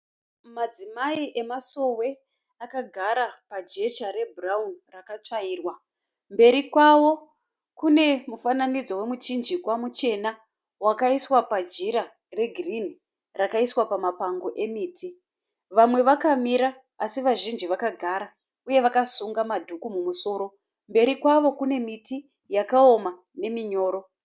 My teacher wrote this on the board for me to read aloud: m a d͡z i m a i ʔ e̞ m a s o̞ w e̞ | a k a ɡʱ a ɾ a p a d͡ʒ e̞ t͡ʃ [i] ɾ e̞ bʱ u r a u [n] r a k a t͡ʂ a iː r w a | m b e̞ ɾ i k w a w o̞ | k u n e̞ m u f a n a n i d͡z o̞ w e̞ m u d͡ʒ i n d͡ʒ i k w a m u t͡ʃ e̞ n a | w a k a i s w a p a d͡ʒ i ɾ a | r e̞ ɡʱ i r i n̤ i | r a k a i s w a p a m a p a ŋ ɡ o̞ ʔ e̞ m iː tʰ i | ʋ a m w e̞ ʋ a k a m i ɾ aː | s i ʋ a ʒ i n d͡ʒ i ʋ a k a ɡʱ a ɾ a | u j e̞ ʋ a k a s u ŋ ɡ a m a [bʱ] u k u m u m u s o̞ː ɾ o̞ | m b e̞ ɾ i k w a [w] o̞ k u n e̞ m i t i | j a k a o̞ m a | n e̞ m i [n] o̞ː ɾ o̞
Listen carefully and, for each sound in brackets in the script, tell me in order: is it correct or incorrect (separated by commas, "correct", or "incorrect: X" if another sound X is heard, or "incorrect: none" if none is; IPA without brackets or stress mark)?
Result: incorrect: a, correct, incorrect: dʱ, incorrect: ʋ, incorrect: ɲ